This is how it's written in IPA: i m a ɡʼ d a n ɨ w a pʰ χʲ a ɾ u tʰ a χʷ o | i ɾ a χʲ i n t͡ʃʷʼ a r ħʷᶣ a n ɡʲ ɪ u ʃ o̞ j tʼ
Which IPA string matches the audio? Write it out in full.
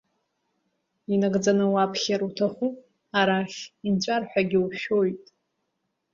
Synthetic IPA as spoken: i n a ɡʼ d͡z a n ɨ w a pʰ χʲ a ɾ u tʰ a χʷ u | a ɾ a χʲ i n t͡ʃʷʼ a r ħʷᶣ a ɡʲ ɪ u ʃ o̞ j tʼ